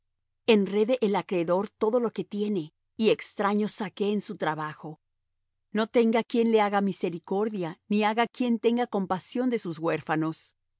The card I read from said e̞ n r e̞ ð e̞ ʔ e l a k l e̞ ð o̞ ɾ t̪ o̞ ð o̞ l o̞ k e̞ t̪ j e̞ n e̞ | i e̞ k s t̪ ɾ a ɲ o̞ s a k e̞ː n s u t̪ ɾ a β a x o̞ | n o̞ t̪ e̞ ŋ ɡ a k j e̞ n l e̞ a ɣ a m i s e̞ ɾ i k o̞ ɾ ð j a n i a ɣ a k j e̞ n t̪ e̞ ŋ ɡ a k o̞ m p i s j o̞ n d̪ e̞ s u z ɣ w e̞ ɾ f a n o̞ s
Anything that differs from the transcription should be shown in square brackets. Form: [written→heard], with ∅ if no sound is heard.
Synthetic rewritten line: e̞ n r e̞ ð e̞ ʔ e l a k [l→ɾ] e̞ ð o̞ ɾ t̪ o̞ ð o̞ l o̞ k e̞ t̪ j e̞ n e̞ | i e̞ k s t̪ ɾ a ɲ o̞ s a k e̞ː n s u t̪ ɾ a β a x o̞ | n o̞ t̪ e̞ ŋ ɡ a k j e̞ n l e̞ a ɣ a m i s e̞ ɾ i k o̞ ɾ ð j a n i a ɣ a k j e̞ n t̪ e̞ ŋ ɡ a k o̞ m p [i→a] s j o̞ n d̪ e̞ s u z ɣ w e̞ ɾ f a n o̞ s